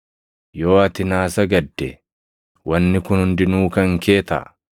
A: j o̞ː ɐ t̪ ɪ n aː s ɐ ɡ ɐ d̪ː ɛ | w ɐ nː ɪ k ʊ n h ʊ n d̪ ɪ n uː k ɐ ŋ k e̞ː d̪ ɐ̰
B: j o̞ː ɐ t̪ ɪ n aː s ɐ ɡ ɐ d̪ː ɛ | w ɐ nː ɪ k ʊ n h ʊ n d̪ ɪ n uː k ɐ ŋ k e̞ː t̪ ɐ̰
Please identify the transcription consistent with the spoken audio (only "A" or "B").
B